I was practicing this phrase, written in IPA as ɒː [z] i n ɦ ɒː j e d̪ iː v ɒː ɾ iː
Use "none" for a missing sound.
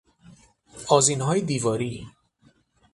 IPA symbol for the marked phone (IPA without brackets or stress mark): z